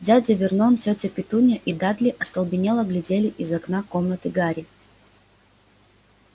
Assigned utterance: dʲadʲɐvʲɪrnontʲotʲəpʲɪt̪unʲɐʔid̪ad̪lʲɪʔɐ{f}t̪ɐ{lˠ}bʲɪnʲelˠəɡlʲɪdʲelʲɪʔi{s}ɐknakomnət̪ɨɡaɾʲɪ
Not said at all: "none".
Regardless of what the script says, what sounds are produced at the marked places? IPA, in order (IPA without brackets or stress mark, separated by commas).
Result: s, lˠ, z